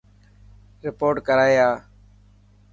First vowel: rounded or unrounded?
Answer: unrounded